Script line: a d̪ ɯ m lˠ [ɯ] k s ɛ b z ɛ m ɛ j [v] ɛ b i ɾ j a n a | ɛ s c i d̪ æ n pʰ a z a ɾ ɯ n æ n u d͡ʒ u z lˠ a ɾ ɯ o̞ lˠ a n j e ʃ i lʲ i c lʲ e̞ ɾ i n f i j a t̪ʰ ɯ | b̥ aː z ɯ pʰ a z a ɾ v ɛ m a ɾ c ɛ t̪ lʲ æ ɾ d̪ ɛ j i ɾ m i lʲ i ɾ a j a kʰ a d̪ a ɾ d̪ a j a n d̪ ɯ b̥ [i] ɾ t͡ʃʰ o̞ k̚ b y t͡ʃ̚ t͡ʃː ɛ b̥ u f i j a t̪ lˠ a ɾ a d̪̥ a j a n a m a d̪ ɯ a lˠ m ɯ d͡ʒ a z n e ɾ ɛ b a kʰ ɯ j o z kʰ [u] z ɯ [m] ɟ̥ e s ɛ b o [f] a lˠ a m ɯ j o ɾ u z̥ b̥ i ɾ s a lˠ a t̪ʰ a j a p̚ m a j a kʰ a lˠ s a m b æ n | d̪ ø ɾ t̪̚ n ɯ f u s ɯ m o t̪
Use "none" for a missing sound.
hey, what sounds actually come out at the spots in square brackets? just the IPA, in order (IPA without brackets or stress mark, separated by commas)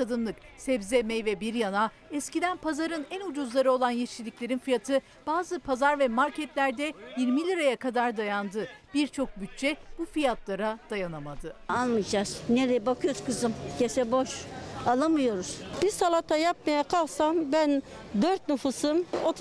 ɯ, v, i, ɯ, m, ʃ